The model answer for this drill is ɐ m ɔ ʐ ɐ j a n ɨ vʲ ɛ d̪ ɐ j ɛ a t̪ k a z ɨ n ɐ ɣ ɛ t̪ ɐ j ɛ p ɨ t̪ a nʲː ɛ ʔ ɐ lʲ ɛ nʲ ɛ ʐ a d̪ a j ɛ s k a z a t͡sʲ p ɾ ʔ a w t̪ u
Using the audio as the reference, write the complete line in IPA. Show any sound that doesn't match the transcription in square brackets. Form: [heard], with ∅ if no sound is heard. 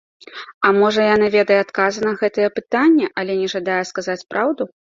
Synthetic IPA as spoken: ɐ m ɔ ʐ ɐ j a n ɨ vʲ ɛ d̪ ɐ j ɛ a t̪ k a z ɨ n ɐ ɣ ɛ t̪ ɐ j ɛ p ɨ t̪ a nʲː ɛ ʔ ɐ lʲ ɛ nʲ ɛ ʐ a d̪ a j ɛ s k a z a t͡sʲ p ɾ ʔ a w [d̪] u